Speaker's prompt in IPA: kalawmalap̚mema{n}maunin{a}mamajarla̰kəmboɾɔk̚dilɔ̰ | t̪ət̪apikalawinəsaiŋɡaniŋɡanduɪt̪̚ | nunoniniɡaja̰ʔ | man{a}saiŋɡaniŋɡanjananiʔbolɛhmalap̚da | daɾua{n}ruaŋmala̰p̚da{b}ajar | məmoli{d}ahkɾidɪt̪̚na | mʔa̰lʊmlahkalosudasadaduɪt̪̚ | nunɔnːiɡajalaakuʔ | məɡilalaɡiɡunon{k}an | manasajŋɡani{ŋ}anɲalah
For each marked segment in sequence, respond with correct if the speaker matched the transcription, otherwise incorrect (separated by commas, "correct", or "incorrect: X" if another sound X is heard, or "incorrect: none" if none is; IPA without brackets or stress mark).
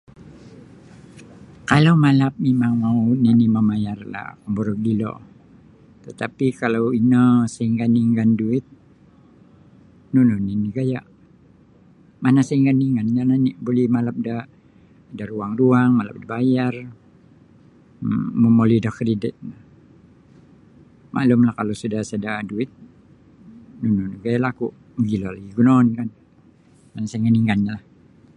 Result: incorrect: ŋ, incorrect: i, correct, incorrect: ŋ, correct, correct, correct, correct